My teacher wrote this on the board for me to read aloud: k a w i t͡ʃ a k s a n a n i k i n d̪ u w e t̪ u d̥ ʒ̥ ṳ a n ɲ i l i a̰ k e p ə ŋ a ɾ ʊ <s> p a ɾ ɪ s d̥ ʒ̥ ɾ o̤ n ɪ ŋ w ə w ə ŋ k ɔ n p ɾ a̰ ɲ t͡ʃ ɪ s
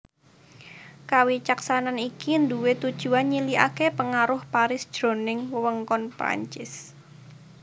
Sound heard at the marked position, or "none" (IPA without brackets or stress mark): h